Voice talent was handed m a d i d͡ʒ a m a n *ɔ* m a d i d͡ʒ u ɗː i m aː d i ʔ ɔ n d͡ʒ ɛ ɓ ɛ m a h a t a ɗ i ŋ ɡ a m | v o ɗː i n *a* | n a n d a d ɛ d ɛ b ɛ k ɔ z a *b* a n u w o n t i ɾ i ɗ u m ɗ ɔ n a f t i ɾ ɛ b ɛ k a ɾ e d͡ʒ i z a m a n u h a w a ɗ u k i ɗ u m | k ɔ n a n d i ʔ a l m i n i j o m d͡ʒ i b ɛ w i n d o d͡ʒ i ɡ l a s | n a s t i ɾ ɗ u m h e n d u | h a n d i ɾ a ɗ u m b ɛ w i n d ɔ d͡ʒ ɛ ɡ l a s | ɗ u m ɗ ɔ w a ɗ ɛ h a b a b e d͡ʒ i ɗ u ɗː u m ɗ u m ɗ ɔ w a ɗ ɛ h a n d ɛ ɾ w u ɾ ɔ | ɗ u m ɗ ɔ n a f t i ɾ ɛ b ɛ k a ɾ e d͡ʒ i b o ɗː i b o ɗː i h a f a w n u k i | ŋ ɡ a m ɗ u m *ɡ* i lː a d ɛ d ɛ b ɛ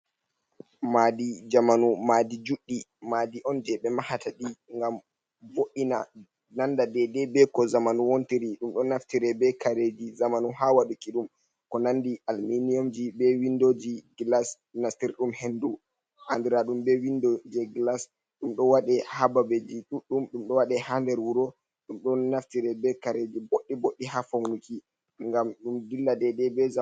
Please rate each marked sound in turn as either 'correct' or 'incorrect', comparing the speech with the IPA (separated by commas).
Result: incorrect, correct, incorrect, incorrect